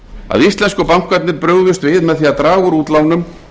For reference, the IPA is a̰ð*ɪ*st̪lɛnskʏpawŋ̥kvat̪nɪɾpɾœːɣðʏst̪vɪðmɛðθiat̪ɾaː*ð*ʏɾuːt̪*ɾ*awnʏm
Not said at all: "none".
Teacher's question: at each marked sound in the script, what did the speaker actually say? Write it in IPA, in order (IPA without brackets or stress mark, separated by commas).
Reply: i, ɣ, l